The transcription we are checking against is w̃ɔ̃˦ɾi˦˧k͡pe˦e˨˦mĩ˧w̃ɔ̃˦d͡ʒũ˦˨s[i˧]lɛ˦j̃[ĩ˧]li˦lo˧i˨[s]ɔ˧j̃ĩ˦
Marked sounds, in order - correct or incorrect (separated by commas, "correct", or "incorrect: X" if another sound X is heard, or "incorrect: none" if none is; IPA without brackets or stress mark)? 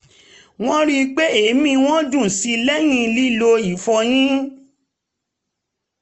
correct, correct, incorrect: f